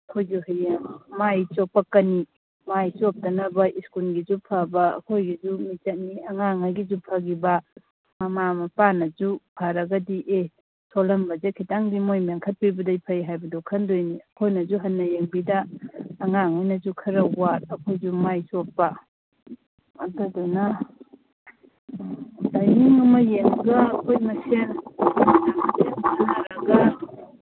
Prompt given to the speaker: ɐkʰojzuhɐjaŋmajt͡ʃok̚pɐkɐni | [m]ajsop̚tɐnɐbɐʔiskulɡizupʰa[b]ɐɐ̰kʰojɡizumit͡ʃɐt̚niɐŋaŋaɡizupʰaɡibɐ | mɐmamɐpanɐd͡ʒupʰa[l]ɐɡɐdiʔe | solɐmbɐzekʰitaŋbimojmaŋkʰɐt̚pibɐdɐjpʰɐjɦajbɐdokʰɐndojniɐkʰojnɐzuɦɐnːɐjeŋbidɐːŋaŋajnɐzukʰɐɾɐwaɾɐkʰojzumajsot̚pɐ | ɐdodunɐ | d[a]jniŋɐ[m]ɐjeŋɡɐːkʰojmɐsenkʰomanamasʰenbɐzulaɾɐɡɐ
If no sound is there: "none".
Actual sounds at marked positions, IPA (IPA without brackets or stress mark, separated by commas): m, b, ɾ, a, m